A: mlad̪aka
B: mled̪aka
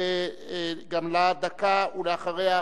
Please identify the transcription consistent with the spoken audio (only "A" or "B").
A